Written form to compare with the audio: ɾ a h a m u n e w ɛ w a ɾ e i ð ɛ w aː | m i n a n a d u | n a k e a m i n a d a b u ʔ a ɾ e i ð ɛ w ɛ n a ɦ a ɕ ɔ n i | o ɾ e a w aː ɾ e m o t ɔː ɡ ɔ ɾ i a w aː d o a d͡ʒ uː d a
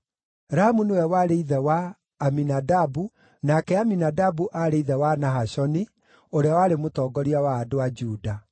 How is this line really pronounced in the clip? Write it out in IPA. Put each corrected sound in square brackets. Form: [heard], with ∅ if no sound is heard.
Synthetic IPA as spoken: ɾ a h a m u n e w ɛ w a ɾ e i ð ɛ w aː | m i n a [d] a [b] u | n a k [ɛ] a m i n a d a b u ʔ a ɾ e i ð ɛ w [a] n a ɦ a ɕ ɔ n i | o ɾ e a w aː ɾ e m o t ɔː ɡ ɔ ɾ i a w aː d o a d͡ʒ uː d a